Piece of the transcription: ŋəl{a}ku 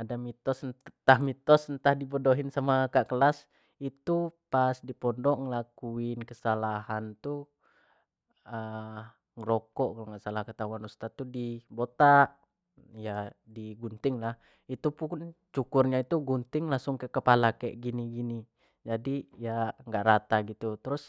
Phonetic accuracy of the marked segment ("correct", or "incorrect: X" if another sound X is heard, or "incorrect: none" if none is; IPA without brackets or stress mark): correct